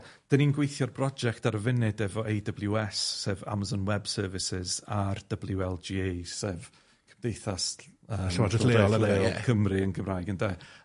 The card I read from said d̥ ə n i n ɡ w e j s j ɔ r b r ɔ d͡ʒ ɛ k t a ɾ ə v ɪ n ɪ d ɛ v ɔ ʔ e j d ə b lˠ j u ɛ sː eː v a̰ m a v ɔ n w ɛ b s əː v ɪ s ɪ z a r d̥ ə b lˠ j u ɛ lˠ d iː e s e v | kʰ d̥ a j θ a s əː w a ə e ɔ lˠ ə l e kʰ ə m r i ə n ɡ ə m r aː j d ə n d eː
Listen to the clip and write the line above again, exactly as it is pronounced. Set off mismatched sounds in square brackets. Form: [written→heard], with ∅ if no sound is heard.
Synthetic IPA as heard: d̥ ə n i n ɡ w e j [s→θ] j ɔ r b r ɔ d͡ʒ ɛ k t a ɾ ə v ɪ n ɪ d ɛ v ɔ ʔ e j d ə b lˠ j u ɛ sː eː v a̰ m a [v→z] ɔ n w ɛ b s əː v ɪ s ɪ z a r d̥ ə b lˠ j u ɛ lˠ [d→d͡ʒ] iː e s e v | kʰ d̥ [a→e] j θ a s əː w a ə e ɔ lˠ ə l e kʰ ə m r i ə n ɡ ə m r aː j [d→ɡ] ə n d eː